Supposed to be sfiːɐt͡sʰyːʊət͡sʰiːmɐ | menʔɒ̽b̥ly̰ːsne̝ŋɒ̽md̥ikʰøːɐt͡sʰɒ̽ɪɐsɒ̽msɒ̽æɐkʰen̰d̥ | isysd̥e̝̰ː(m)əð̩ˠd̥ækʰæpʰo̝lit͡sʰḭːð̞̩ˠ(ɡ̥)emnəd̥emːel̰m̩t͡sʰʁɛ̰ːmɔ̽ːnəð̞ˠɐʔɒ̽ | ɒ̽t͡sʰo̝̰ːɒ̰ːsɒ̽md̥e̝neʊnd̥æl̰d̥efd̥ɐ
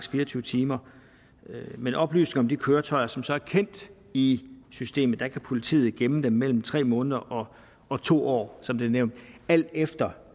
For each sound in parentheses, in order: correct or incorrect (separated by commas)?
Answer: correct, correct